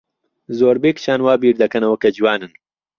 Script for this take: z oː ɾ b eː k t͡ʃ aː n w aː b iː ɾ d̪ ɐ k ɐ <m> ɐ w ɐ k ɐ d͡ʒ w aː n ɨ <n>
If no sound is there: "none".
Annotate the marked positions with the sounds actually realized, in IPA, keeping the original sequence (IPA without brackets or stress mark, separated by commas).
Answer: n, n